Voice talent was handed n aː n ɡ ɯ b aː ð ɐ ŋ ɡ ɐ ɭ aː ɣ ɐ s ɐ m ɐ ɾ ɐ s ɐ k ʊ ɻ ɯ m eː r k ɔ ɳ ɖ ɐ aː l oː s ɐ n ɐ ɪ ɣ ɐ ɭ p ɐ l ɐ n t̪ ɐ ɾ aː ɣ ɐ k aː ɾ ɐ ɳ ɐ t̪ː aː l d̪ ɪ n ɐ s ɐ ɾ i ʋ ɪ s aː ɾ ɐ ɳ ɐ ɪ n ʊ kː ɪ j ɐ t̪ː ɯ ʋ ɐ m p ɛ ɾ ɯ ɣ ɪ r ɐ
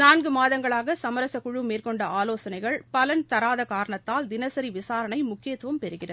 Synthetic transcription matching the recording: n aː n ɡ ɯ m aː ð ɐ ŋ ɡ ɐ ɭ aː ɣ ɐ s ɐ m ɐ ɾ ɐ s ɐ k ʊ ɻ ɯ m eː r k ɔ ɳ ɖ ɐ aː l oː s ɐ n ɐ ɪ ɣ ɐ ɭ p ɐ l ɐ n t̪ ɐ ɾ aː ð ɐ k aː ɾ ɐ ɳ ɐ t̪ː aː l d̪ ɪ n ɐ s ɐ ɾ i ʋ ɪ s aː ɾ ɐ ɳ ɐ ɪ m ʊ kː ɪ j ɐ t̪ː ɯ ʋ ɐ m p ɛ ɾ ɯ ɣ ɪ r ɐ

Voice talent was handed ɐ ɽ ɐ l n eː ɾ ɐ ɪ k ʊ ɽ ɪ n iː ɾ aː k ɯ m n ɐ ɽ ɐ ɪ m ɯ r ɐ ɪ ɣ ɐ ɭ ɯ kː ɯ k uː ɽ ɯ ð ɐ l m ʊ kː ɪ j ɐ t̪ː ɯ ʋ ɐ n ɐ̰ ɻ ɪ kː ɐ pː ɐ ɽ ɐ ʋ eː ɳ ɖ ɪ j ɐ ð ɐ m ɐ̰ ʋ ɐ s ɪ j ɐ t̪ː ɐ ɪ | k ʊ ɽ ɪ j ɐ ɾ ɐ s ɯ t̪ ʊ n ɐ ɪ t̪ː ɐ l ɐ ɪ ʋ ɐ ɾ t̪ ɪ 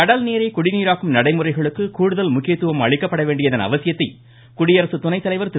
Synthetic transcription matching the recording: ɐ ɽ ɐ l n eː ɾ ɐ ɪ k ʊ ɽ ɪ n iː ɾ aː k ɯ m n ɐ ɽ ɐ ɪ m ɯ r ɐ ɪ ɣ ɐ ɭ ɯ kː ɯ k uː ɽ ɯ ð ɐ l m ʊ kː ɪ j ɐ t̪ː ɯ ʋ ɐ m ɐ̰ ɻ ɪ kː ɐ pː ɐ ɽ ɐ ʋ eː ɳ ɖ ɪ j ɐ ð ɐ n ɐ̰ ʋ ɐ s ɪ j ɐ t̪ː ɐ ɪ | k ʊ ɽ ɪ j ɐ ɾ ɐ s ɯ t̪ ʊ n ɐ ɪ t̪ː ɐ l ɐ ɪ ʋ ɐ ɾ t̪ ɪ

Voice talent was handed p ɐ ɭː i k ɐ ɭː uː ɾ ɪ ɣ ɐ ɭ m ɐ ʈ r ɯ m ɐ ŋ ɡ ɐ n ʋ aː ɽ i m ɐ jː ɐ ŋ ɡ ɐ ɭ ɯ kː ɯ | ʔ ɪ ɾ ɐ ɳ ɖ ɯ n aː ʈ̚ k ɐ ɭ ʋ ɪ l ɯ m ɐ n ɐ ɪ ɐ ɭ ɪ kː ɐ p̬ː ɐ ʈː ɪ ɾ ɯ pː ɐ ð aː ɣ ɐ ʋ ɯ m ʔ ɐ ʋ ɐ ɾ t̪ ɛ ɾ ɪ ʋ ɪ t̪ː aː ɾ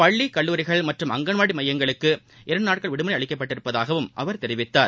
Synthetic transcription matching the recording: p ɐ ɭː i k ɐ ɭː uː ɾ ɪ ɣ ɐ ɭ m ɐ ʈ r ɯ m ɐ ŋ ɡ ɐ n ʋ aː ɽ i m ɐ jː ɐ ŋ ɡ ɐ ɭ ɯ kː ɯ | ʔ ɪ ɾ ɐ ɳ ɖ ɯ n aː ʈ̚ k ɐ ɭ ʋ ɪ ɽ ɯ m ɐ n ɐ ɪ ɐ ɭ ɪ kː ɐ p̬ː ɐ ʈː ɪ ɾ ɯ pː ɐ ð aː ɣ ɐ ʋ ɯ m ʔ ɐ ʋ ɐ ɾ t̪ ɛ ɾ ɪ ʋ ɪ t̪ː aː ɾ

